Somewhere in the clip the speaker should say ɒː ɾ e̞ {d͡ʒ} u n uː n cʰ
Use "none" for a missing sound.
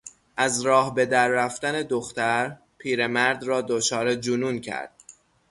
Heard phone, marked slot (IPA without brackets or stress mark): d͡ʒ